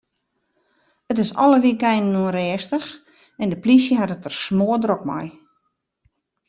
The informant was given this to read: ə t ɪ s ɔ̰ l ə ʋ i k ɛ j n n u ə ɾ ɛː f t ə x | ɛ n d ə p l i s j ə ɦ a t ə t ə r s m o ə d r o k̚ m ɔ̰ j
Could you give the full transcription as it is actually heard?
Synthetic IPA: ə t ɪ s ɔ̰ l ə ʋ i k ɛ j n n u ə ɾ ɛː s t ə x | ɛ n d ə p l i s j ə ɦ a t ə t ə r s m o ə d r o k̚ m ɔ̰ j